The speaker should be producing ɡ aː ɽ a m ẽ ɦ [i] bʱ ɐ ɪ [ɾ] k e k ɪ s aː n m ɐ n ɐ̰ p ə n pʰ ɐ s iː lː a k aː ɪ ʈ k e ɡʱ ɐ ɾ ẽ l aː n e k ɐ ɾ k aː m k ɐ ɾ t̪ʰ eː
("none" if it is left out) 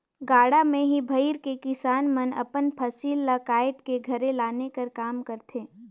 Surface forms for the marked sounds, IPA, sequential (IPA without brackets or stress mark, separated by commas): i, ɾ